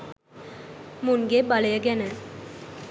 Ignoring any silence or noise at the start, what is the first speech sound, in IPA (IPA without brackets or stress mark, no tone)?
m